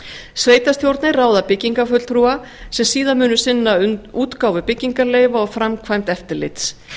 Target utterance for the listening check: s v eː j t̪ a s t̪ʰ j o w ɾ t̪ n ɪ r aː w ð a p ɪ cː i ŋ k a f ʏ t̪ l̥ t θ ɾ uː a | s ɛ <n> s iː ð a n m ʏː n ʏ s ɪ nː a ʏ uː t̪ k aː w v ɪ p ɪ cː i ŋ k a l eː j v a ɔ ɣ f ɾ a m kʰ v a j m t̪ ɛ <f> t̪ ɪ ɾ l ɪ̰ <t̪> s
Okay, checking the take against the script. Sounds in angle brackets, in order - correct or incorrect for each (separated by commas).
incorrect, correct, correct